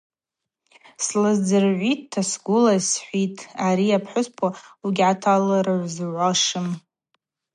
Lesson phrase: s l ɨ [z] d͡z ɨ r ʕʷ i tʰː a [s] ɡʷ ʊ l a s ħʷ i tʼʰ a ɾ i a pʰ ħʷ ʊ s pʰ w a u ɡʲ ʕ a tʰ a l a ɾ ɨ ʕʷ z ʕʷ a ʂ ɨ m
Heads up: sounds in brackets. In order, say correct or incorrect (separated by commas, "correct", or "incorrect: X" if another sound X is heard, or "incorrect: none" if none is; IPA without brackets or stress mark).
correct, correct